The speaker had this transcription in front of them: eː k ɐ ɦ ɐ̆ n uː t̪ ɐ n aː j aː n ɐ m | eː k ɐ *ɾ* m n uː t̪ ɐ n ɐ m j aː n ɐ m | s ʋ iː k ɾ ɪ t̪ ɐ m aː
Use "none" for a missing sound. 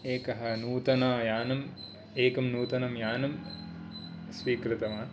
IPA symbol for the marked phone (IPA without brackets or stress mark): none